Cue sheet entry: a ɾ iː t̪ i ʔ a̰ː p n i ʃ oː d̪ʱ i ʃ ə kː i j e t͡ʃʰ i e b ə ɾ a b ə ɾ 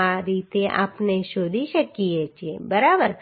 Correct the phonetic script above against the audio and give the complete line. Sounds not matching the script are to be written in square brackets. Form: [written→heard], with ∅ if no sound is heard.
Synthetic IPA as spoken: a ɾ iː t̪ [i→e] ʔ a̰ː p n [i→e] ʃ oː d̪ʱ i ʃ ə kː i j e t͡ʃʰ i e b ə ɾ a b ə ɾ